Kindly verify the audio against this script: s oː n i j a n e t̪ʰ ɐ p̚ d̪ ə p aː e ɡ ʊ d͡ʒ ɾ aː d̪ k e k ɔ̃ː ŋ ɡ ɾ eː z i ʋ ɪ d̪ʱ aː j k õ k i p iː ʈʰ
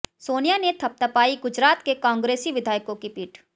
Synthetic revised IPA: s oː n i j a n e t̪ʰ ɐ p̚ t̪ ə p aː i ɡ ʊ d͡ʒ ɾ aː t̪ k e k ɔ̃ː ŋ ɡ ɾ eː s i ʋ ɪ d̪ʱ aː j k õ k i p iː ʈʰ